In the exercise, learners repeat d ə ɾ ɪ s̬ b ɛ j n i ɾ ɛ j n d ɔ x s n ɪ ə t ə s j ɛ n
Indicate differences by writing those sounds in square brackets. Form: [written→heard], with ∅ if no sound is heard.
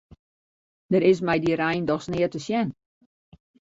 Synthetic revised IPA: d ə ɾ ɪ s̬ [b→m] ɛ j [n→d] i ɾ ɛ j n d ɔ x s n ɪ ə t ə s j ɛ n